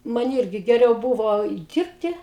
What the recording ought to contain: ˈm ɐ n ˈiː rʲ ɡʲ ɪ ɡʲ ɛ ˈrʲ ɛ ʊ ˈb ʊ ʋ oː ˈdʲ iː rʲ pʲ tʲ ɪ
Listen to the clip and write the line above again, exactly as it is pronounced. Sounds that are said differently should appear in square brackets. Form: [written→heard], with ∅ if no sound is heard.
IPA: ˈm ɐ n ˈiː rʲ ɡʲ ɪ ɡʲ ɛ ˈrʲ ɛ ʊ ˈb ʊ ʋ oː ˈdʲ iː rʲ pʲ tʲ ɪ